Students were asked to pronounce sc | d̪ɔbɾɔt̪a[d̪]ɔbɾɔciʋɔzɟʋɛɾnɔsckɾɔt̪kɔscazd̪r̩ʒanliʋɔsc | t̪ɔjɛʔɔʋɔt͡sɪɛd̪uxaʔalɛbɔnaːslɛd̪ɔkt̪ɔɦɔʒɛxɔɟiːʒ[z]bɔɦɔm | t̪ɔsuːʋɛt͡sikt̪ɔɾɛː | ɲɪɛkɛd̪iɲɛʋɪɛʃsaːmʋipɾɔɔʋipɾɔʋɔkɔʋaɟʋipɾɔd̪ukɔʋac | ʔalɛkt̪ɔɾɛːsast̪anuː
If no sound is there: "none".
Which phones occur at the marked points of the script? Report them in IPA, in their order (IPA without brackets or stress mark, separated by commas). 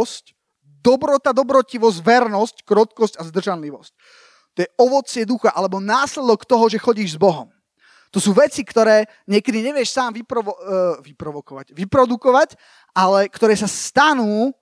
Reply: d̪, z